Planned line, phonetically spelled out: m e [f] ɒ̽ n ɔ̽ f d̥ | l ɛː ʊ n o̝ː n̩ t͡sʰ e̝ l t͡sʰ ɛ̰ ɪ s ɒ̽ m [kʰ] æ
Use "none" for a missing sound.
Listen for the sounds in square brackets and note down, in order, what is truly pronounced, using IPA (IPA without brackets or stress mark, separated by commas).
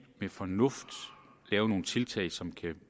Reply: f, kʰ